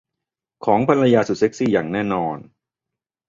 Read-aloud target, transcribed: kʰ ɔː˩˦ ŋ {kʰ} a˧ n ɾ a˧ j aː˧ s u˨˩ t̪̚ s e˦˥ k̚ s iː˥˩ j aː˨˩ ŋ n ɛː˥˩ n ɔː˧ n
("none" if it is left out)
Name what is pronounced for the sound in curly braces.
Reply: pʰ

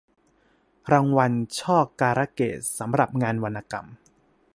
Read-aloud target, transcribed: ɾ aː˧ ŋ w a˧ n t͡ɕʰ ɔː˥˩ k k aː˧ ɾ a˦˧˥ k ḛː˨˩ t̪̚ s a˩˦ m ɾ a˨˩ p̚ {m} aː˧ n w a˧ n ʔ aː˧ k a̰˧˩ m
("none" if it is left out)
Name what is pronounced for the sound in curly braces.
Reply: ŋ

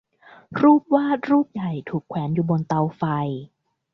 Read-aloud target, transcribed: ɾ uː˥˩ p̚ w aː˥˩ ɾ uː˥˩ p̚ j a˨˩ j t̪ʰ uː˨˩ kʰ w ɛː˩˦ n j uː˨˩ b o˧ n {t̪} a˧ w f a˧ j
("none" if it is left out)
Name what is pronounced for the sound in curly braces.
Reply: t̪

